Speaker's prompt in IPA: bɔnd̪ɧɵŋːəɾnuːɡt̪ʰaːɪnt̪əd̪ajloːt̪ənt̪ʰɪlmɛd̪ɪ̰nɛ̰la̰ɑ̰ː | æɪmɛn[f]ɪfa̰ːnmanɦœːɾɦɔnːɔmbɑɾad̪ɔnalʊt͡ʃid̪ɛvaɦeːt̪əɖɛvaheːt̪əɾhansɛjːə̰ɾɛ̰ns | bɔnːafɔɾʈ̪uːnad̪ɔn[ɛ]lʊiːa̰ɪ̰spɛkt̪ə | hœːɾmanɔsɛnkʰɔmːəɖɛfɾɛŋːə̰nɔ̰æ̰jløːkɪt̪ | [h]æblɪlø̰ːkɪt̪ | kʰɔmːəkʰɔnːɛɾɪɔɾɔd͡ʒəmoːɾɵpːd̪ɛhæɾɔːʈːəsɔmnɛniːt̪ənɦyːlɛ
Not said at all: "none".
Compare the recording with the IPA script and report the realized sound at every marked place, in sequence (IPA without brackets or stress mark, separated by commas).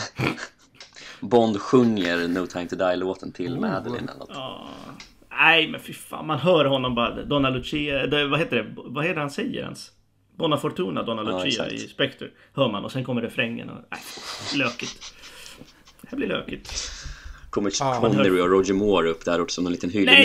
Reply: f, a, h